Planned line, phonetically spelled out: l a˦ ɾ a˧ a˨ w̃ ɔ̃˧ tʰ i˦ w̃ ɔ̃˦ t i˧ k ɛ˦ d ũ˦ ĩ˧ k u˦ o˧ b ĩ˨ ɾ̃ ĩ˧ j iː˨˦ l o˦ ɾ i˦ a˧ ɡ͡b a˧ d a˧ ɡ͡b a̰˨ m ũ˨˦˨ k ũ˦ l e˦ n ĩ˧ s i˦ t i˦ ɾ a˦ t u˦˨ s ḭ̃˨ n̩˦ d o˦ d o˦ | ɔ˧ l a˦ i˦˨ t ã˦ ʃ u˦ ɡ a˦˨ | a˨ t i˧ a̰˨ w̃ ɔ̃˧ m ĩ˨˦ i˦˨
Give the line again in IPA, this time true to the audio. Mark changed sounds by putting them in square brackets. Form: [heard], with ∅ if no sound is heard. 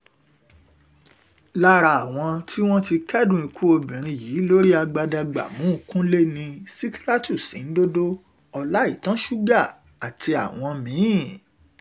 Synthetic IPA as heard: l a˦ ɾ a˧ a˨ w̃ ɔ̃˧ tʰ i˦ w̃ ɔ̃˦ t i˧ k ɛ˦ d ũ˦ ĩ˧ k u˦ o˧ b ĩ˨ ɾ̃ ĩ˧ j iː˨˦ l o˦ ɾ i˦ a˧ ɡ͡b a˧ d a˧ ɡ͡b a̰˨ m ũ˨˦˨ k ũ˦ l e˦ n ĩ˧ s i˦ [k] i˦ ɾ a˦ t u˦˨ s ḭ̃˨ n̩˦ d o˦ d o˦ | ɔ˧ l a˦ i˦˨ t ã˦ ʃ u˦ ɡ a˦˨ | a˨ t i˧ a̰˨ w̃ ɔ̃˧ m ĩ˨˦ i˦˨